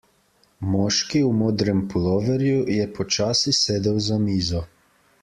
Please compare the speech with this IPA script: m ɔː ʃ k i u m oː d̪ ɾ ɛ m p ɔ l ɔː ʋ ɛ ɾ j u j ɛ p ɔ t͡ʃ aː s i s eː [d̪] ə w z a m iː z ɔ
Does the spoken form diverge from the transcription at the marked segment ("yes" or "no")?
no